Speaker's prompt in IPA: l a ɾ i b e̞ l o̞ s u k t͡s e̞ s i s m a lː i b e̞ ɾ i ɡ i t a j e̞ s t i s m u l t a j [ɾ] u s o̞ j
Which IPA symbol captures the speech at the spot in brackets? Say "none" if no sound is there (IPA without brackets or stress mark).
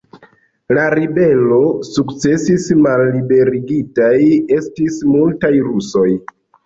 ɾ